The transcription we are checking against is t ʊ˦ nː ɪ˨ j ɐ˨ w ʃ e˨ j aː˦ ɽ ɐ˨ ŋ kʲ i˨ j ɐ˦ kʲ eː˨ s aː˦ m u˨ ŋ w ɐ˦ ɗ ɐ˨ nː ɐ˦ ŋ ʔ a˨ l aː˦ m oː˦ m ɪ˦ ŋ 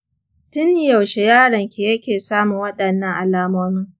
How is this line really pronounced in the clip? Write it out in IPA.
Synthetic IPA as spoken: t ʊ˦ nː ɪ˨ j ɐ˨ w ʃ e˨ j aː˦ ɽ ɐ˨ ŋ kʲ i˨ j ɐ˦ kʲ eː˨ s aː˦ m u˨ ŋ w ɐ˦ ɗ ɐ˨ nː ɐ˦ ŋ ʔ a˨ l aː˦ m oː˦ m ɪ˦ ŋ